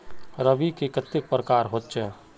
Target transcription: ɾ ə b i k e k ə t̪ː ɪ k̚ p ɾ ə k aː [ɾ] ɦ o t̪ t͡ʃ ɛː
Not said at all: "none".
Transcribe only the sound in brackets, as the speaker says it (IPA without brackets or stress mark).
ɾ